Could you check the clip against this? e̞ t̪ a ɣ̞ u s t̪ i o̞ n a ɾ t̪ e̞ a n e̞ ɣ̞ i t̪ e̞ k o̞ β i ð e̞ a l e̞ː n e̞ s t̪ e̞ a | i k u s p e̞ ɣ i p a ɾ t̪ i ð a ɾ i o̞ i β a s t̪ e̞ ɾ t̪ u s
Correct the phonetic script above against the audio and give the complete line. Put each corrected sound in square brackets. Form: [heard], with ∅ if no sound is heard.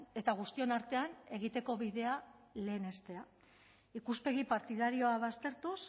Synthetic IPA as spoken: e̞ t̪ a ɣ̞ u s t̪ i o̞ n a ɾ t̪ e̞ a n e̞ ɣ̞ i t̪ e̞ k o̞ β i ð e̞ a l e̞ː n e̞ s t̪ e̞ a | i k u s p e̞ ɣ i p a ɾ t̪ i ð a ɾ i o̞ [a] β a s t̪ e̞ ɾ t̪ u s